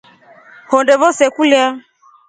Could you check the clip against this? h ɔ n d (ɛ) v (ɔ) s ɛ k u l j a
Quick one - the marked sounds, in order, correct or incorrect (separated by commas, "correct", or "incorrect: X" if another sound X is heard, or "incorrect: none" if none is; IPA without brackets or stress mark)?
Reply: correct, correct